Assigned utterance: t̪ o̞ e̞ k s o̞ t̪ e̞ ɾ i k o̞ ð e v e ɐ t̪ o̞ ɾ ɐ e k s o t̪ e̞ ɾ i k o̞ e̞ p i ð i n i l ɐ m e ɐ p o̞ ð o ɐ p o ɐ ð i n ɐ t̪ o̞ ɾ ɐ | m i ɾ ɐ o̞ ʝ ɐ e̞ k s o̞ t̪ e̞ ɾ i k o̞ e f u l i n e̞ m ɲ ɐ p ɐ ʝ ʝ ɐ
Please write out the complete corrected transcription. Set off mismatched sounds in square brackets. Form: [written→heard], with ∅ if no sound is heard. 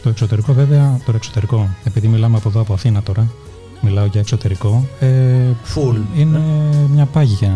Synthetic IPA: t̪ o̞ e̞ k s o̞ t̪ e̞ ɾ i k o̞ [ð→v] e v e ɐ t̪ o̞ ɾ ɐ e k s o t̪ e̞ ɾ i k o̞ e̞ p i ð i [n→m] i l ɐ m e ɐ p o̞ ð o ɐ p o ɐ [ð→θ] i n ɐ t̪ o̞ ɾ ɐ | m i [ɾ→l] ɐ o̞ ʝ ɐ e̞ k s o̞ t̪ e̞ ɾ i k o̞ e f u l i n e̞ m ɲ ɐ p ɐ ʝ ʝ ɐ